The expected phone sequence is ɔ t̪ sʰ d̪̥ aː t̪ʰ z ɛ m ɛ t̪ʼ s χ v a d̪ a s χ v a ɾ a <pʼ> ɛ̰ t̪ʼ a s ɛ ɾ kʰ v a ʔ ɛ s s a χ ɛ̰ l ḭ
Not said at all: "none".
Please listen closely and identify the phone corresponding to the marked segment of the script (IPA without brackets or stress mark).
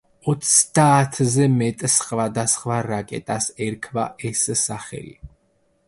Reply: kʼ